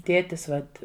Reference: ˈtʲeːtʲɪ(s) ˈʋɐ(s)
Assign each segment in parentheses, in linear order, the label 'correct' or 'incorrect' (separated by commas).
correct, incorrect